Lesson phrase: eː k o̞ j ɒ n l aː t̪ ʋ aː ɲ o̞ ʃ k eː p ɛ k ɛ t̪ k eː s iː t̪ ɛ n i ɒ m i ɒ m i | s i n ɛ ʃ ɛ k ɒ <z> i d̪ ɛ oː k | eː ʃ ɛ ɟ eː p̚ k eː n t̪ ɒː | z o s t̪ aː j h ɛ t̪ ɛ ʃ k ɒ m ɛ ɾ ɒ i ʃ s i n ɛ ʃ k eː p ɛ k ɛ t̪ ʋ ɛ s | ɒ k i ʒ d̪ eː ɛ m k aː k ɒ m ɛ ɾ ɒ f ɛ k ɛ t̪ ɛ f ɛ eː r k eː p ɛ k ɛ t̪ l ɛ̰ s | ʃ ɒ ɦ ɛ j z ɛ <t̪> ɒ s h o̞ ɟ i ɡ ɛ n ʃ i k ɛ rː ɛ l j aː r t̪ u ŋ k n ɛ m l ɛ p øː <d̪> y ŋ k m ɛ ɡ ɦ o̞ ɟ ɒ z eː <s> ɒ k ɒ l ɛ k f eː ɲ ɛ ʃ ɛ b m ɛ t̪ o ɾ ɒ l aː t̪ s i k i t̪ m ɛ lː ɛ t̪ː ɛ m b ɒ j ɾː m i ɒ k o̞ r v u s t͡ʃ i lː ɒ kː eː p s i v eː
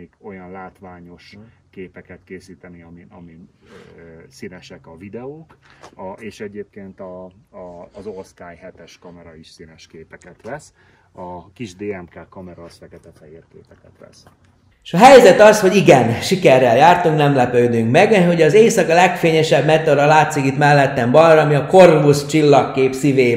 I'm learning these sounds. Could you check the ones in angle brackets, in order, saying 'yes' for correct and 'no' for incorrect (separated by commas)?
no, yes, yes, yes